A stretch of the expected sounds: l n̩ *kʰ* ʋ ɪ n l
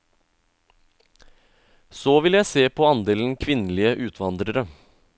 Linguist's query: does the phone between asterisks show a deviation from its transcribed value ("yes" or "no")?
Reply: no